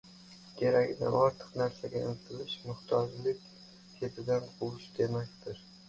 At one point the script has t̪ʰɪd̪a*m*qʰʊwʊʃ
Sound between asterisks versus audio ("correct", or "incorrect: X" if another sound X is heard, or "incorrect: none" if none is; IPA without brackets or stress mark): incorrect: n